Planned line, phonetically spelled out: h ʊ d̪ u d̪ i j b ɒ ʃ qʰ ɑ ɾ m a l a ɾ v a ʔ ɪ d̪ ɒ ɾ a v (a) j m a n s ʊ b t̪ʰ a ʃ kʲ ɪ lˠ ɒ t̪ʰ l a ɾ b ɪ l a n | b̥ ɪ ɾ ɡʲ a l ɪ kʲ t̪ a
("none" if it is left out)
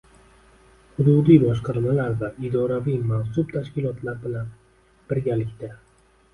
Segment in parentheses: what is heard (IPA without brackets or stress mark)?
i